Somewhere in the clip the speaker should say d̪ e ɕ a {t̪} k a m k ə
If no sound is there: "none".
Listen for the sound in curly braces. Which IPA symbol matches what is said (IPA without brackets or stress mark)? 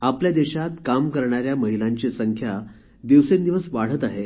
t̪